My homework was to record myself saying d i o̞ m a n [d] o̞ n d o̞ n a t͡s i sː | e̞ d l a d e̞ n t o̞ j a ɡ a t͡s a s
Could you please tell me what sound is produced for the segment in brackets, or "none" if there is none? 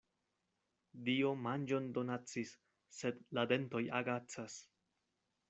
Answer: d͡ʒ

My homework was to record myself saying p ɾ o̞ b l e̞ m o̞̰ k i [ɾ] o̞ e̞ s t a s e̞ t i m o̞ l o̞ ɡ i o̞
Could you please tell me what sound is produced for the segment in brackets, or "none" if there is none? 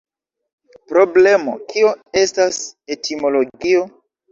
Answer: none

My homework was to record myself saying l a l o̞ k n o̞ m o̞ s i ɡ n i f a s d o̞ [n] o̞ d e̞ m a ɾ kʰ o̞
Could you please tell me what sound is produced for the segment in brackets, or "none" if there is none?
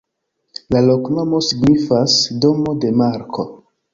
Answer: m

